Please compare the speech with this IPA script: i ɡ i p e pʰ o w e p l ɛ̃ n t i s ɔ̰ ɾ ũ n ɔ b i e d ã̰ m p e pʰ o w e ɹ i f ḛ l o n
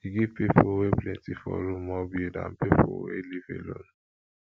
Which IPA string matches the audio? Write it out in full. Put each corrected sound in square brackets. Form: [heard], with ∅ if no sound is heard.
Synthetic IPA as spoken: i ɡ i p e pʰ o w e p l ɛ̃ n t i [f] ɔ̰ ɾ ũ [m] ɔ b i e d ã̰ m p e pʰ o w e [l] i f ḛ l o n